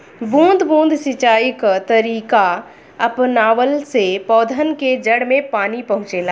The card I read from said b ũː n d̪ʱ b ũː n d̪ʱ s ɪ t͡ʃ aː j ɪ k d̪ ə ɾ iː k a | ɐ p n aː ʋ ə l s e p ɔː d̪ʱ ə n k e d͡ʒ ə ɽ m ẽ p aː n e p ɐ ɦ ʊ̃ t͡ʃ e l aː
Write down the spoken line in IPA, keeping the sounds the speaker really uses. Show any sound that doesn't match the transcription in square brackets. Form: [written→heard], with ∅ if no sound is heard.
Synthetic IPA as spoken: b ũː n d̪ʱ b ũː n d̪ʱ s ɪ t͡ʃ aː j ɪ k [d̪→t̪] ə ɾ iː k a | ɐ p n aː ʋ ə l s e p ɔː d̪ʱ ə n k e d͡ʒ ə ɽ m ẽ p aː n [e→i] p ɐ ɦ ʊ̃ t͡ʃ e l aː